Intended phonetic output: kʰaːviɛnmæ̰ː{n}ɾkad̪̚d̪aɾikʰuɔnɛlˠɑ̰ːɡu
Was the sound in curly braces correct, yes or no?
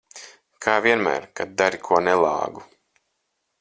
no